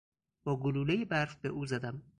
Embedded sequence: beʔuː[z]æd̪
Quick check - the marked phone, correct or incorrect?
correct